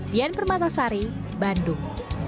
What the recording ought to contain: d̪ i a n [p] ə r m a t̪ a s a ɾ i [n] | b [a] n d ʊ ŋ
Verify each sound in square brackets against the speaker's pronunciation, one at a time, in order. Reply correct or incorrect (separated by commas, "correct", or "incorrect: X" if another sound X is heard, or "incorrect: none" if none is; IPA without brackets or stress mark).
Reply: correct, incorrect: none, correct